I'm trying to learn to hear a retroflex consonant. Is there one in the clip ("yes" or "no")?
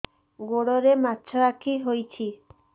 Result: yes